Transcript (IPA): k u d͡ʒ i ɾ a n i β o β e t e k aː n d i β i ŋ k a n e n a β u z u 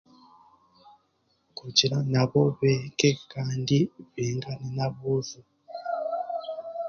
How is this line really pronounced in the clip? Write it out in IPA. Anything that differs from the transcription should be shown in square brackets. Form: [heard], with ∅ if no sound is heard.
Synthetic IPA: k u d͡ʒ i ɾ a n [a] β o β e [k] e k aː n d i β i ŋ [ɡ] a n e n a β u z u

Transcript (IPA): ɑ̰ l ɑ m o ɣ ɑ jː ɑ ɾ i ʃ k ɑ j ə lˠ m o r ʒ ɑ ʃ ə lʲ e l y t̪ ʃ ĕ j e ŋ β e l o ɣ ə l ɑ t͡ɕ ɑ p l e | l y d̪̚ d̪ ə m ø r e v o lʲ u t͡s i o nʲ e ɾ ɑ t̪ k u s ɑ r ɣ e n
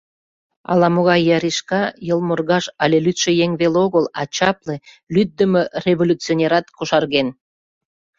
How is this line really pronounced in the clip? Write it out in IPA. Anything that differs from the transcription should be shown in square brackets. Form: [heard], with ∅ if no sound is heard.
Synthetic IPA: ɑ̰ l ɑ m o ɣ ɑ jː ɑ ɾ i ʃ k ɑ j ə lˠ m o r [ɣ] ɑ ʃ [ɑ] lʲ e l y t̪ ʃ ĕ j e ŋ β e l o ɣ ə l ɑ t͡ɕ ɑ p l e | l y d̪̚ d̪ ə m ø r e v o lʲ u t͡s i o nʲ e ɾ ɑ t̪ k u [ʃ] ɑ r ɣ e n

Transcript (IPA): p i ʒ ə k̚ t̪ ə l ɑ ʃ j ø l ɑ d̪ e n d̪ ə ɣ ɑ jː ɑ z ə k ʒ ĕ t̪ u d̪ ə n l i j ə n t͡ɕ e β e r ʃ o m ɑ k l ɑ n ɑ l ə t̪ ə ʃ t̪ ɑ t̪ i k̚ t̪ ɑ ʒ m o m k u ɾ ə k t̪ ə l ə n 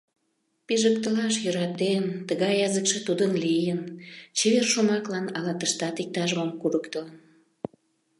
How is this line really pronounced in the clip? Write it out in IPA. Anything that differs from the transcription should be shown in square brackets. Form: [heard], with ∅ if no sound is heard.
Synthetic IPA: p i ʒ ə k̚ t̪ ə l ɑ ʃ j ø [ɾ] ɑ [t̪] e n [t̪] ə ɣ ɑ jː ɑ z ə k [ʃ] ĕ t̪ u d̪ ə n l i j ə n t͡ɕ e β e r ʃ o m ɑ k l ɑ n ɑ l [ɑ] t̪ ə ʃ t̪ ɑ t̪ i k̚ t̪ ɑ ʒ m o m k u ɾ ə k t̪ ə l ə n

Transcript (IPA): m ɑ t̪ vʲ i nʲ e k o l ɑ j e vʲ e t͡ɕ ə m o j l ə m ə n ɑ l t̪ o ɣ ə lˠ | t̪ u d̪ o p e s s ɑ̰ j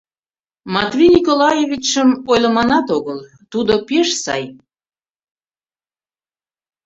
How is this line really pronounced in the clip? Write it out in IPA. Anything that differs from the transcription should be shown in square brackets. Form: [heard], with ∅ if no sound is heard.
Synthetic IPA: m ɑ t̪ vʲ i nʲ [i] k o l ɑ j e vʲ [i] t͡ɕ ə m o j l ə m [ɑ] n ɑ [∅] t̪ o ɣ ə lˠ | t̪ u d̪ o p e [ʃ] s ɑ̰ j

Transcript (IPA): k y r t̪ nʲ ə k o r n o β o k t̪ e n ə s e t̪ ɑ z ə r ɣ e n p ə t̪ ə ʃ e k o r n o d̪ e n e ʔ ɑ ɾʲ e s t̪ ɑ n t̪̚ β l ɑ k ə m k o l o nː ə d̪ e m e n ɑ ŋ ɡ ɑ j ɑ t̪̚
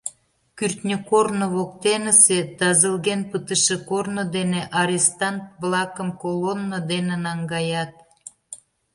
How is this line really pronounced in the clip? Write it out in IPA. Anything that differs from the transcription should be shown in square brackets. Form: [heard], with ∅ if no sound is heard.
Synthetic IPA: k y r t̪ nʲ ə k o r n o β o k t̪ e n ə s e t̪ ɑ z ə [l] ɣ e n p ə t̪ ə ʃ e k o r n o d̪ e n e ʔ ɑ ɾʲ e s t̪ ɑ n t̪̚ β l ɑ k ə m k o l o nː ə d̪ e [n] e n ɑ ŋ ɡ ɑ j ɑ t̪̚

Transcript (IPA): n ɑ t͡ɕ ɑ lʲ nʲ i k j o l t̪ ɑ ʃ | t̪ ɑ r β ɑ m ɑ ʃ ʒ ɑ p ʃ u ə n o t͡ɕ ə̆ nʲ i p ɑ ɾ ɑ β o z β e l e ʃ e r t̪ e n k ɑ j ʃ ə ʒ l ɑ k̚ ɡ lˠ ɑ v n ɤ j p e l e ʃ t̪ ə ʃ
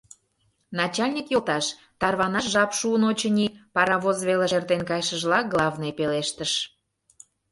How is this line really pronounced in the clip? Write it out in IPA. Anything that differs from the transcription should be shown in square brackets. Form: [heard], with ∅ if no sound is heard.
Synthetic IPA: n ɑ t͡ɕ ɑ lʲ nʲ i k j o l t̪ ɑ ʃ | t̪ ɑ r β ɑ [n] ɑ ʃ ʒ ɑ p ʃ u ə n o t͡ɕ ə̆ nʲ i p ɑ ɾ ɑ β o z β e l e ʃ e r t̪ e n k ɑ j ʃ ə ʒ l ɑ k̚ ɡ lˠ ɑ v n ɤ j p e l e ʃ t̪ ə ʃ

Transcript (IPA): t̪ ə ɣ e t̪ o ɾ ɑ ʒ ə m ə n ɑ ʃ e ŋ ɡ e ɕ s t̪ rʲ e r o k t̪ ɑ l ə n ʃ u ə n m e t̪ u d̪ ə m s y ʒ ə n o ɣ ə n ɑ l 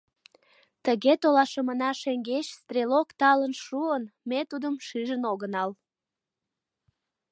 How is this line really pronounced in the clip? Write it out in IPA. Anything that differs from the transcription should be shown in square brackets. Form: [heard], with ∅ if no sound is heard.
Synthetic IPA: t̪ ə ɣ e t̪ o [l] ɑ [ʃ] ə m ə n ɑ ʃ e ŋ ɡ e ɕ s t̪ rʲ e [l] o k t̪ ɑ l ə n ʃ u ə n m e t̪ u d̪ ə m [ʃ] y ʒ ə n o ɣ ə n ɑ l

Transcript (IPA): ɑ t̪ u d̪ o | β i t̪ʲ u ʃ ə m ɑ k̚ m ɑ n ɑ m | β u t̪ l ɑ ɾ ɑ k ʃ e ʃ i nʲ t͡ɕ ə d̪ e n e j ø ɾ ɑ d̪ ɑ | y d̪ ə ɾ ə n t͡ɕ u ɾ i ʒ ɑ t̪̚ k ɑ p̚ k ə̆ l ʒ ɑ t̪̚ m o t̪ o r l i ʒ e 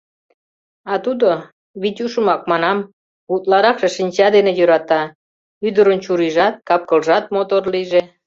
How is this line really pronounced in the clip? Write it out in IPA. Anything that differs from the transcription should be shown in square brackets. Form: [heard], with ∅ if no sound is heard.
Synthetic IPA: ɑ t̪ u d̪ o | β i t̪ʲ u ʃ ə m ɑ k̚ m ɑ n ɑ m | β u t̪ l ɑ ɾ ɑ k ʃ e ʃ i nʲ t͡ɕ [ɑ] d̪ e n e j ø ɾ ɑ [t̪] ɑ | y d̪ ə ɾ ə n t͡ɕ u ɾ i ʒ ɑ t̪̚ k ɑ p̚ k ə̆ l ʒ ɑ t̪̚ m o t̪ o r l i ʒ e

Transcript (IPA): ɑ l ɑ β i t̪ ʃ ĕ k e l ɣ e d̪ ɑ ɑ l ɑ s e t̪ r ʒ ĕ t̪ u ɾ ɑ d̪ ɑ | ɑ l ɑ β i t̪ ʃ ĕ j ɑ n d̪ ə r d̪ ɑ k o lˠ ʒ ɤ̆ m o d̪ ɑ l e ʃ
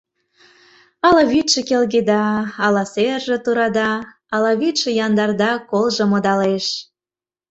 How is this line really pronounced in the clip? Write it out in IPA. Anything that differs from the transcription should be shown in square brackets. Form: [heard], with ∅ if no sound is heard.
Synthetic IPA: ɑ l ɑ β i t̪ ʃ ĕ k e l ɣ e d̪ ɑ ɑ l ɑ s e [∅] r ʒ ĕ t̪ u ɾ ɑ d̪ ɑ | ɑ l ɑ β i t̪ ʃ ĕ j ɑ n d̪ [ɑ] r d̪ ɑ k o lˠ ʒ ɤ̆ m o d̪ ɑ l e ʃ

